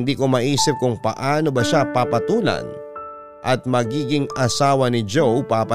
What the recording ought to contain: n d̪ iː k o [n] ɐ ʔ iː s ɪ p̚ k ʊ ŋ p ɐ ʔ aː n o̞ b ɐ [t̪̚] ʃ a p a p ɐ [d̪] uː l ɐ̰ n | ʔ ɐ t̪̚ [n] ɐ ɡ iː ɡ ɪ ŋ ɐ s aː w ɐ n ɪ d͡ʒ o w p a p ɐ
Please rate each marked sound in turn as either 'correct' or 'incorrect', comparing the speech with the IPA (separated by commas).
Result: incorrect, incorrect, incorrect, incorrect